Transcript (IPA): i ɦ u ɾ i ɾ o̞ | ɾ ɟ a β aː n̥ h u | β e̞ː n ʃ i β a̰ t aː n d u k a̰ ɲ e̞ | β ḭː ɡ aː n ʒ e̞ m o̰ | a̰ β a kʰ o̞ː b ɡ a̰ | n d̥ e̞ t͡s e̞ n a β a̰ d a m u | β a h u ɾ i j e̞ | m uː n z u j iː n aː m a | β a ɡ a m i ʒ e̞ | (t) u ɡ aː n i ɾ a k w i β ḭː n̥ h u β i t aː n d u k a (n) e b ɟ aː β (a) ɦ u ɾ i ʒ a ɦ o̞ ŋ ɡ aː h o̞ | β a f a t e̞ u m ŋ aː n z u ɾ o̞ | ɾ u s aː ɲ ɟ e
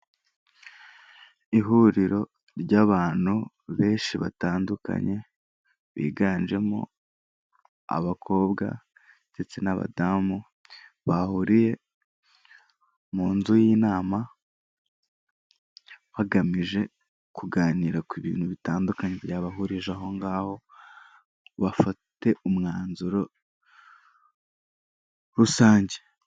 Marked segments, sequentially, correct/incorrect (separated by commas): incorrect, incorrect, correct